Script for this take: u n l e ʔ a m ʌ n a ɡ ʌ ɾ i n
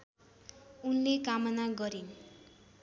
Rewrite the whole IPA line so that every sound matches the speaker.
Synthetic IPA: u n l e k a m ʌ n a ɡ ʌ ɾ i n